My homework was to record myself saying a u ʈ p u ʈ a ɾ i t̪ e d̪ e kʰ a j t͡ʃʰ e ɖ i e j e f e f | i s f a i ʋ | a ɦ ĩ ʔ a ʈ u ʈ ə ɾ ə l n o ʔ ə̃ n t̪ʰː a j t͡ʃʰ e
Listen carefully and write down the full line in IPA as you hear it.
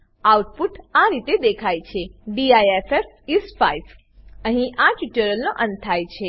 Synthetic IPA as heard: a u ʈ p u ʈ a ɾ i t̪ e d̪ e kʰ a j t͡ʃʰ e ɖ i a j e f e f | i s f a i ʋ | ə ɦ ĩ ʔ a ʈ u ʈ ə ɾ ə l n o ʔ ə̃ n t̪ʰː a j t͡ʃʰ e

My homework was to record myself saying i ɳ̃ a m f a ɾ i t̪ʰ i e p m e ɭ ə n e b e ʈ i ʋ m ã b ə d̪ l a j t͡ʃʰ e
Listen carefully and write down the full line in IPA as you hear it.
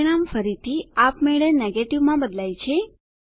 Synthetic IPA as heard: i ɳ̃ a m f ə ɾ i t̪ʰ i a p m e ɭ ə n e ɡ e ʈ i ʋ m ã b ə d̪ l a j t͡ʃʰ e

